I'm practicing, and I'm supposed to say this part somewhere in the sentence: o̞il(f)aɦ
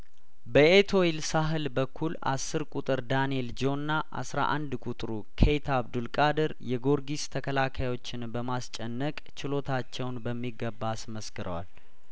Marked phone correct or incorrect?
incorrect